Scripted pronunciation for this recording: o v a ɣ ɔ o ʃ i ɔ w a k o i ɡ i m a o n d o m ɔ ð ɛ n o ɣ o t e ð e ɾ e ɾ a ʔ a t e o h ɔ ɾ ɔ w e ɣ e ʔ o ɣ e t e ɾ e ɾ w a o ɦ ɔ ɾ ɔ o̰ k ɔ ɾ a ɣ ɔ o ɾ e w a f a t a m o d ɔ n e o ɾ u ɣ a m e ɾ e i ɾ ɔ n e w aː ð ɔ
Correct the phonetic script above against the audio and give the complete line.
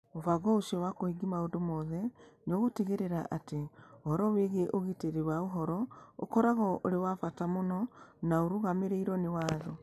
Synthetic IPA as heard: o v a ɣ ɔ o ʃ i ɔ w a k o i ɡ i m a o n d o m ɔ ð ɛ n o ɣ o t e ɣ e ɾ e ɾ a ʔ a t e o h ɔ ɾ ɔ w e ɣ e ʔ o ɣ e t e ɾ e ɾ w a o ɦ ɔ ɾ ɔ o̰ k ɔ ɾ a ɣ ɔ o ɾ e w a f a t a m o n ɔ n a o ɾ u ɣ a m e ɾ e i ɾ ɔ n e w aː ð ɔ

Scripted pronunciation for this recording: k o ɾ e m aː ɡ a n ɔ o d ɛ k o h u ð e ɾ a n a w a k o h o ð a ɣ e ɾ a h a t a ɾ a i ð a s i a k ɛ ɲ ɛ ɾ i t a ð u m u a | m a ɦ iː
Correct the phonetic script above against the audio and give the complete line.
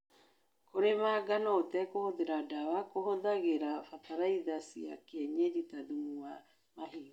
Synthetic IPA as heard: k o ɾ e m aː ɡ a n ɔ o t ɛ k o h o ð e ɾ a d a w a k o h o ð a ɣ e ɾ a f a t a ɾ a i ð a s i a k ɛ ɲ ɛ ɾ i t a ð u m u a | m a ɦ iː

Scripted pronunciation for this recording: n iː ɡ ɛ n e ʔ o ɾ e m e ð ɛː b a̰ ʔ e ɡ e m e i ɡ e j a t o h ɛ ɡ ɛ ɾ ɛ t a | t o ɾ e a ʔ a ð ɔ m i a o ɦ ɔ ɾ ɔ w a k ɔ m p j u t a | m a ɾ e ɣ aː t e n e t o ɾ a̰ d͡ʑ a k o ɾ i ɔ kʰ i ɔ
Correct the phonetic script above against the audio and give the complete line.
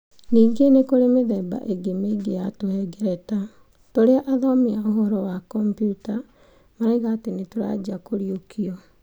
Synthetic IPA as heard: n iː ɡ e n e k o ɾ e m e ð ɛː b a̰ ʔ e ɡ e m e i ɡ e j a t o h ɛ ɡ ɛ ɾ ɛ t a | t o ɾ e a ʔ a ð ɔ m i a o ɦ ɔ ɾ ɔ w a k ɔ m p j u t a | m a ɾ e ɣ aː t e n e t o ɾ a̰ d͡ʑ a k o ɾ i o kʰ i ɔ

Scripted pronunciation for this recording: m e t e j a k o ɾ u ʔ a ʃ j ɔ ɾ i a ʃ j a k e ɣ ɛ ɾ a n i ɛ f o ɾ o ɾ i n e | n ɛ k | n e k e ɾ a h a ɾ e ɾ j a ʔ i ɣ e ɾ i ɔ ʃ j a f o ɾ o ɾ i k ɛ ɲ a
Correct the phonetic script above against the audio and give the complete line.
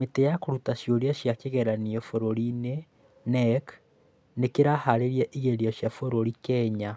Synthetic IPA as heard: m e t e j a k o ɾ u t a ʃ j o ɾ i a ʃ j a k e ɣ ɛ ɾ a n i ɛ f o ɾ o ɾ i n e | n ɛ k | n e k e ɾ a h a ɾ e ɾ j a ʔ i ɣ e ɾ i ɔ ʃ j a f o ɾ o ɾ i k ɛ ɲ a

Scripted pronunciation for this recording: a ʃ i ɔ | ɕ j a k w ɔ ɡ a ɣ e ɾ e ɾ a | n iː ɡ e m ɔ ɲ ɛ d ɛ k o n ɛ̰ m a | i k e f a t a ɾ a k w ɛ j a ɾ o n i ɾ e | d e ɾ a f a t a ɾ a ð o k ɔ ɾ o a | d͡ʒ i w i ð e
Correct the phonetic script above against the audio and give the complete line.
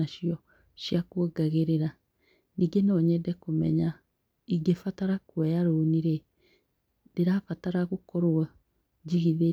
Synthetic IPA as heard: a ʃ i ɔ | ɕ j a k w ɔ ɡ a ɣ e ɾ e ɾ a | n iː ɡ e n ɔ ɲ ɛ d ɛ k o m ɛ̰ ɲ a | i ɡ e f a t a ɾ a k w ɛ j a ɾ o n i ɾ e | d e ɾ a f a t a ɾ a ɣ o k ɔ ɾ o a | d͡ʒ i ɣ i ð e

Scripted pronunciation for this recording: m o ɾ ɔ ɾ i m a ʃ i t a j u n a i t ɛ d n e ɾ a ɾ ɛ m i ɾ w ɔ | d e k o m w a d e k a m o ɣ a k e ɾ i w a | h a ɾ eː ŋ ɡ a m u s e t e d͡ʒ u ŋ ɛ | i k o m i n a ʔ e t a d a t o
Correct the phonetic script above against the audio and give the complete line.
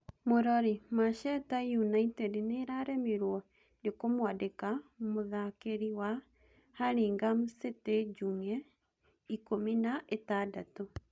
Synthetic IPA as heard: m o ɾ ɔ ɾ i m a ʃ ɛ t a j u n a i t ɛ d n e ɾ a ɾ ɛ m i ɾ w ɔ | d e k o m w a d e k a m o ð a k e ɾ i w a | h a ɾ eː ŋ ɡ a m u s e t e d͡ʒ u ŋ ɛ | i k o m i n a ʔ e t a d a t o

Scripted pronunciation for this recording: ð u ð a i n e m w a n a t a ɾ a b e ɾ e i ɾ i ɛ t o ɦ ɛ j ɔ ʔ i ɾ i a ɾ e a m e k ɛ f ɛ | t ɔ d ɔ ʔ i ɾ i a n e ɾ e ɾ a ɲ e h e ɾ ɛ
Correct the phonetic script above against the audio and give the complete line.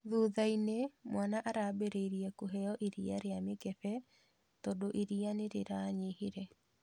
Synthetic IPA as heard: ð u ð a i n e m w a n a ʔ a ɾ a b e ɾ e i ɾ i ɛ k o ɦ ɛ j ɔ ʔ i ɾ i a ɾ e a m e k ɛ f ɛ | t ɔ d o ʔ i ɾ i a n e ɾ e ɾ a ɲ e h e ɾ ɛ

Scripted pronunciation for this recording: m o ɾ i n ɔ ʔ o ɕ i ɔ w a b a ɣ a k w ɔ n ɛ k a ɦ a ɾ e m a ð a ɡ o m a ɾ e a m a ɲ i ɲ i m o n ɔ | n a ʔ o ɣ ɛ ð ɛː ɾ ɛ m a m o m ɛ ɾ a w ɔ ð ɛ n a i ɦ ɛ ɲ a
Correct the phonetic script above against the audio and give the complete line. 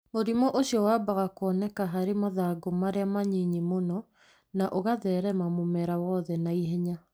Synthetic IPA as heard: m o ɾ i m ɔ ʔ o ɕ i ɔ w a b a ɣ a k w ɔ n ɛ k a ɦ a ɾ e m a ð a ɡ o m a ɾ e a m a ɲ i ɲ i m o n ɔ | n a ʔ o ɣ a ð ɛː ɾ ɛ m a m o m ɛ ɾ a w ɔ ð ɛ n a i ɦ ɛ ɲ a

